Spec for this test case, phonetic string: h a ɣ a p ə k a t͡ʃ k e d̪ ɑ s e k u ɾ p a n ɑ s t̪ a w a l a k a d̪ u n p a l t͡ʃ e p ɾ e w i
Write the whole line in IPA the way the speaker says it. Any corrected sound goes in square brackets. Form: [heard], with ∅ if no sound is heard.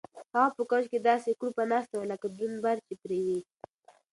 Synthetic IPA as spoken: h a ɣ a p ə k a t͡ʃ k e d̪ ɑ s e k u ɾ p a n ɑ s t̪ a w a l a k a d̪ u n [b] a [ɾ] t͡ʃ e p ɾ e w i

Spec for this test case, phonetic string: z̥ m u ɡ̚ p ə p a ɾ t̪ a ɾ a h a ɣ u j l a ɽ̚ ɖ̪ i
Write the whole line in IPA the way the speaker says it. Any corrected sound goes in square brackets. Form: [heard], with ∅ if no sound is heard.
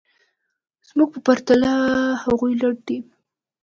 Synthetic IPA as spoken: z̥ m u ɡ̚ p ə p a ɾ t̪ a [l] a h a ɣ u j l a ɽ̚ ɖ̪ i

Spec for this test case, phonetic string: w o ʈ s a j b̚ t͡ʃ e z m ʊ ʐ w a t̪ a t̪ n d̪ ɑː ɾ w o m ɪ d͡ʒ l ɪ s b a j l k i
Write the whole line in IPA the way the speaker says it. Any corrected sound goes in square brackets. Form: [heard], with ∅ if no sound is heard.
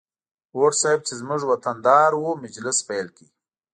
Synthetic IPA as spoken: w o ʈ s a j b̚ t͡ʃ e z m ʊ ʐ w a t̪ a [∅] n d̪ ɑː ɾ w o m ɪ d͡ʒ l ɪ s [p] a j l k i

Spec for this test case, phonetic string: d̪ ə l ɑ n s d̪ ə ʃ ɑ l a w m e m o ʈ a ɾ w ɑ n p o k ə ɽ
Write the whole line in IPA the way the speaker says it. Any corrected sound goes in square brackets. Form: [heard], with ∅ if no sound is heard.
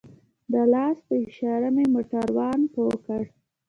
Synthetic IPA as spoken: d̪ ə l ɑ [∅] s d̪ ə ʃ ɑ [ɾ] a [∅] m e m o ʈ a ɾ w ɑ n p o k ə ɽ

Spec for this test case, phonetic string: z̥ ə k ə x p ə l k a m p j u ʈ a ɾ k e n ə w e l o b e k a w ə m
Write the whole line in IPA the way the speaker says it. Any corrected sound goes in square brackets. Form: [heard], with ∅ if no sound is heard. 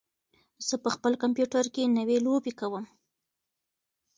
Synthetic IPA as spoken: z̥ ə [p] ə x p ə l k a m p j u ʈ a ɾ k e n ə w e l o b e k a w ə m

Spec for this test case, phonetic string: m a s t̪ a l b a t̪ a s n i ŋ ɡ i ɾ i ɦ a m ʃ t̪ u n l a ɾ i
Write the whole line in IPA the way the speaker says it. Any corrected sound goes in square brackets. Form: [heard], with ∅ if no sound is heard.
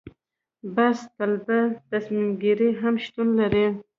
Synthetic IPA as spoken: [b] a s t̪ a l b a t̪ a s [m] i [m] ɡ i ɾ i ɦ a m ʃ t̪ u n l a ɾ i

